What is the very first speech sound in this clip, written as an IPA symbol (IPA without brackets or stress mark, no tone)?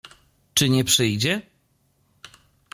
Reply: t͡ʂ